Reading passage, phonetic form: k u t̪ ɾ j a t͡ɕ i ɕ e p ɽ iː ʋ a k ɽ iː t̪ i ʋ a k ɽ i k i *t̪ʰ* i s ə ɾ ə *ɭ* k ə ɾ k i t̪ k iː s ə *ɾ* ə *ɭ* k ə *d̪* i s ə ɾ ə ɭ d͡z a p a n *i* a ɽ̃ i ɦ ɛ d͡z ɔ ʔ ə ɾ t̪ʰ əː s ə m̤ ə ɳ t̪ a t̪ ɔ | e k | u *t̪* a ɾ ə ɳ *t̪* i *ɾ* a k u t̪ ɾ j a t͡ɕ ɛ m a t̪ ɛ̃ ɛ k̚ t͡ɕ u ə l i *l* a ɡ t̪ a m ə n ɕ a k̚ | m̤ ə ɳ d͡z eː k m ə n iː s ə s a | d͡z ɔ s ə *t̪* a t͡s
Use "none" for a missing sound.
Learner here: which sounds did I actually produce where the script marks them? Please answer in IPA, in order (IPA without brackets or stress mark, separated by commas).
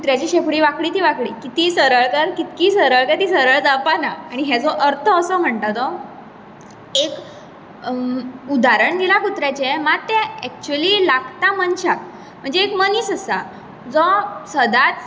t̪, ɭ, ɾ, ɭ, t̪, a, d̪, d̪, l, l, d̪